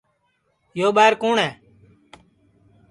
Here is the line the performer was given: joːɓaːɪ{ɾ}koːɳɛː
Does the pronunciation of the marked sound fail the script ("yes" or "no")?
no